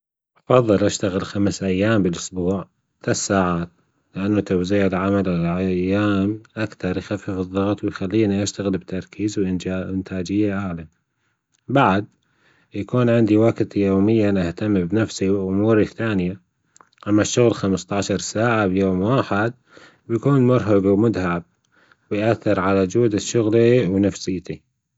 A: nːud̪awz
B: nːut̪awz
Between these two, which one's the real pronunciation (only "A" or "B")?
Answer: B